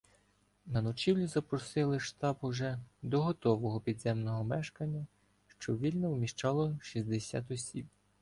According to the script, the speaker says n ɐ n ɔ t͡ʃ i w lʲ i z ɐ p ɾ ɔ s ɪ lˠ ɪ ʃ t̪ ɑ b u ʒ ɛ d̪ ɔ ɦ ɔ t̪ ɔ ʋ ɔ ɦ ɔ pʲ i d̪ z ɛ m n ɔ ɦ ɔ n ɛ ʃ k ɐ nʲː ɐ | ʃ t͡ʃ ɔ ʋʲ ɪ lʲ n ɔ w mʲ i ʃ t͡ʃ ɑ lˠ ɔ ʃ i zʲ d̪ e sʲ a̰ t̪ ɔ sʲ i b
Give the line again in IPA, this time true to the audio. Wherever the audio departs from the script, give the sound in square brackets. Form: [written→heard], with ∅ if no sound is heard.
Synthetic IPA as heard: n ɐ n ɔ t͡ʃ i w lʲ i z ɐ p ɾ ɔ s ɪ lˠ ɪ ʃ t̪ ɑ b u ʒ ɛ d̪ ɔ ɦ ɔ t̪ ɔ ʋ ɔ ɦ ɔ pʲ i d̪ z ɛ m n ɔ ɦ ɔ [n→m] ɛ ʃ k ɐ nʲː ɐ | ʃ t͡ʃ ɔ ʋʲ [ɪ→i] lʲ n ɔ w mʲ i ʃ t͡ʃ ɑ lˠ ɔ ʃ i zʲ d̪ e sʲ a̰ t̪ ɔ sʲ i b

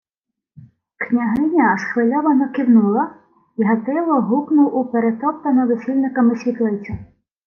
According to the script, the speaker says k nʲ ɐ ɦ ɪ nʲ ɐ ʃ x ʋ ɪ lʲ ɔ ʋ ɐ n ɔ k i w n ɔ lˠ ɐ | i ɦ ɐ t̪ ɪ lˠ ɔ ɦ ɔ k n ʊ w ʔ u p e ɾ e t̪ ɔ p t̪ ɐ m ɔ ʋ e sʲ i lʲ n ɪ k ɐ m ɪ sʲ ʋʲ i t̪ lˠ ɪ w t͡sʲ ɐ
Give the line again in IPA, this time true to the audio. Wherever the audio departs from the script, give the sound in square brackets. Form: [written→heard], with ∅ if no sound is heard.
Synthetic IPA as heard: k nʲ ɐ ɦ ɪ nʲ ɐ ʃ x ʋ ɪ lʲ ɔ ʋ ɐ n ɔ k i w n [ɔ→u] lˠ ɐ | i ɦ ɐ t̪ ɪ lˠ ɔ ɦ [ɔ→u] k n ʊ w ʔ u p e ɾ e t̪ ɔ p t̪ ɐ [m→n] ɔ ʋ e sʲ i lʲ n ɪ k ɐ m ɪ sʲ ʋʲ i t̪ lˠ ɪ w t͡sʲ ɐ

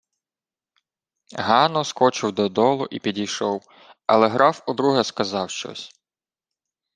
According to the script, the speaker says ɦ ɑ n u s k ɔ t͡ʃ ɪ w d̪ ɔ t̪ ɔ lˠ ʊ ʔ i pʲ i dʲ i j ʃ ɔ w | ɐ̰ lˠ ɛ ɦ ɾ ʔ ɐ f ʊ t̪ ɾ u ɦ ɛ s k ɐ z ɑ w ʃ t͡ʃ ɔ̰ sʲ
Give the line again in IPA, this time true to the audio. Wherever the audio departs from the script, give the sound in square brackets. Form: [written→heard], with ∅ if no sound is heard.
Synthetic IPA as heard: ɦ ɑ n [u→ɔ] s k ɔ t͡ʃ ɪ w d̪ ɔ [t̪→d̪] ɔ lˠ ʊ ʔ i pʲ i dʲ i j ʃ ɔ w | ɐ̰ lˠ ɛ ɦ ɾ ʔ [ɐ→ɑ] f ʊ [t̪→d̪] ɾ u ɦ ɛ s k ɐ z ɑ w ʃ t͡ʃ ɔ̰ sʲ

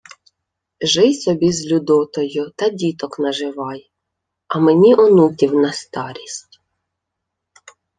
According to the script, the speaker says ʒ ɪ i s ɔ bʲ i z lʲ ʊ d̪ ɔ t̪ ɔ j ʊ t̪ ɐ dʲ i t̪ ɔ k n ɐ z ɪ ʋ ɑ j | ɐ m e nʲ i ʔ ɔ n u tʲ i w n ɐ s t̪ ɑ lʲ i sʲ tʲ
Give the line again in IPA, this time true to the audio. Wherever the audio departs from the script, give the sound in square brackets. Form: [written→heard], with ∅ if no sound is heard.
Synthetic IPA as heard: ʒ ɪ [i→j] s ɔ bʲ i z lʲ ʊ d̪ ɔ t̪ ɔ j ʊ t̪ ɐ dʲ i t̪ ɔ k n ɐ [z→ʒ] ɪ ʋ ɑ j | ɐ m e nʲ i ʔ ɔ n u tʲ i w n ɐ s t̪ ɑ [lʲ→ɾʲ] i sʲ tʲ

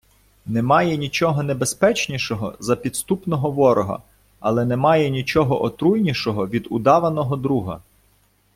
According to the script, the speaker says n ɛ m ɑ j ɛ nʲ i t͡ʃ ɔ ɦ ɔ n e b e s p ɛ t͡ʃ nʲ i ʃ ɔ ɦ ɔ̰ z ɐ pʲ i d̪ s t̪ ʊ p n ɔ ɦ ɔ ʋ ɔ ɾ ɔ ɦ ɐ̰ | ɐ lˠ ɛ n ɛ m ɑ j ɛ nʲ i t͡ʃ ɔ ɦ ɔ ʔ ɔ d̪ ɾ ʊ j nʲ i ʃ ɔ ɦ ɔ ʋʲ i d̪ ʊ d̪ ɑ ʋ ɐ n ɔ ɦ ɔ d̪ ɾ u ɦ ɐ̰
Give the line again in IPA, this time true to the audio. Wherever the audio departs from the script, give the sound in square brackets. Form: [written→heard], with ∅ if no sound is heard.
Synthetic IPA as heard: n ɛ m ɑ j ɛ nʲ i t͡ʃ ɔ ɦ ɔ n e b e s p ɛ t͡ʃ nʲ i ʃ ɔ ɦ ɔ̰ z ɐ pʲ i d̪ s t̪ [ʊ→u] p n ɔ ɦ ɔ ʋ ɔ ɾ ɔ ɦ ɐ̰ | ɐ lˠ ɛ n ɛ m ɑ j ɛ nʲ i t͡ʃ ɔ ɦ ɔ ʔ ɔ [d̪→t̪] ɾ [ʊ→u] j nʲ i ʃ ɔ ɦ ɔ ʋʲ i d̪ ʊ d̪ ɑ ʋ ɐ n ɔ ɦ ɔ d̪ ɾ u ɦ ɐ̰

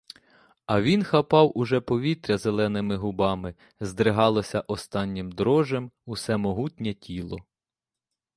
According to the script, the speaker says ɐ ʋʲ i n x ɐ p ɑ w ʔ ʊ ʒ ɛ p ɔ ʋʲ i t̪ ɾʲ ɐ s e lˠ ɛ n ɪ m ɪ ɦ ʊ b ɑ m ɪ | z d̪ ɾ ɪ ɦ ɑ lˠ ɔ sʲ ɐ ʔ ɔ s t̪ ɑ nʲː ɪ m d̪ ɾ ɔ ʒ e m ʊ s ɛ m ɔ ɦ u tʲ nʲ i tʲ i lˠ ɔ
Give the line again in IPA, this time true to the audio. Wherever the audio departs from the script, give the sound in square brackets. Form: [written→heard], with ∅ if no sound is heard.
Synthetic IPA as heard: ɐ ʋʲ i n x ɐ p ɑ w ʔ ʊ ʒ ɛ p ɔ ʋʲ i t̪ ɾʲ ɐ [s→z] e lˠ ɛ n ɪ m ɪ ɦ ʊ b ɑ m ɪ | z d̪ ɾ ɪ ɦ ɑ lˠ ɔ sʲ ɐ ʔ ɔ s t̪ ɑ nʲː ɪ m d̪ ɾ ɔ ʒ e m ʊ s ɛ m ɔ ɦ u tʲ nʲ [i→ɛ] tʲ i lˠ ɔ

